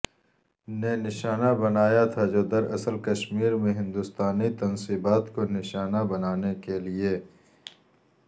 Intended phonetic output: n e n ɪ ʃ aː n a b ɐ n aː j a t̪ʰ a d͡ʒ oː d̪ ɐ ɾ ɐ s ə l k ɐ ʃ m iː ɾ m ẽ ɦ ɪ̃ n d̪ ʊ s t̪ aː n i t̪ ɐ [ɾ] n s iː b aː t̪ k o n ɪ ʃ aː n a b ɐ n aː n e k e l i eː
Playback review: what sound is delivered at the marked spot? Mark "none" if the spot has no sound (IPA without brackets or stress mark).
none